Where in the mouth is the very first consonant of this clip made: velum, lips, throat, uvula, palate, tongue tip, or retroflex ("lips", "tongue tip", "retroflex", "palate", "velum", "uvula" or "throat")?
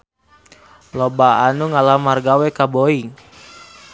tongue tip